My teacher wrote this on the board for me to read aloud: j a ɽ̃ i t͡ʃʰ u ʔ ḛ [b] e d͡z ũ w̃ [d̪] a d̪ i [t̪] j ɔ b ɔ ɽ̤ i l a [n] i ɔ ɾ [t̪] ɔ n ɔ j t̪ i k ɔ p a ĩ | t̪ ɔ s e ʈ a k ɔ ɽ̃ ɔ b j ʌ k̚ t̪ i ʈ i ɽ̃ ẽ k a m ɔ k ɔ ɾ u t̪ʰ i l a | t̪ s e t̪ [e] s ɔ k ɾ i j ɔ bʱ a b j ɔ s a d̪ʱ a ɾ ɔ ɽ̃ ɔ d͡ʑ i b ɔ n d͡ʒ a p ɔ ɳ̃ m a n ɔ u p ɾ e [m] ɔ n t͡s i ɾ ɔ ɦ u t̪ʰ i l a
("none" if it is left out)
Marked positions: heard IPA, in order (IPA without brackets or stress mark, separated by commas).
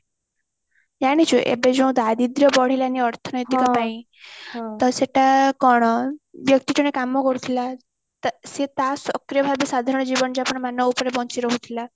b, d̪, d̪, n, t̪ʰ, a, b